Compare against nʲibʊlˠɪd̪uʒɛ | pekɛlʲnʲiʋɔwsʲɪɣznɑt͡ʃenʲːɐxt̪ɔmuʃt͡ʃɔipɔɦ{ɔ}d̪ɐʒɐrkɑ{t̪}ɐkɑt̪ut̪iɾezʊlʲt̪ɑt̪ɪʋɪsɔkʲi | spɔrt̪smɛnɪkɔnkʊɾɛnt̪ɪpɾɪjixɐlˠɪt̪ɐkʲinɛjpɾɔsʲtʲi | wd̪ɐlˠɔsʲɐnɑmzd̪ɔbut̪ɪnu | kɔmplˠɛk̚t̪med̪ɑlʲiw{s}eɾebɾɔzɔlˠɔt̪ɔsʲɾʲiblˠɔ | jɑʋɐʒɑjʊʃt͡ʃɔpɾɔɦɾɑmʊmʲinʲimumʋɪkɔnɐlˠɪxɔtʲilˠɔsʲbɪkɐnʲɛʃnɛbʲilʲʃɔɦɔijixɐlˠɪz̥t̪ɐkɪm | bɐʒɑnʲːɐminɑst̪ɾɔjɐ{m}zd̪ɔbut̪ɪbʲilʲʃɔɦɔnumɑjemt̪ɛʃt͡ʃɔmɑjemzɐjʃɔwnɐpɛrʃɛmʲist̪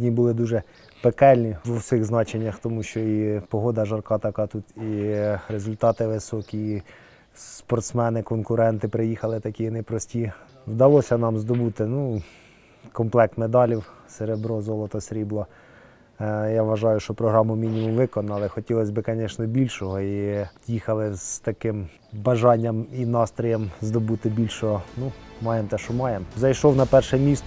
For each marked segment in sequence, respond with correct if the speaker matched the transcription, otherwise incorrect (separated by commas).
correct, correct, correct, correct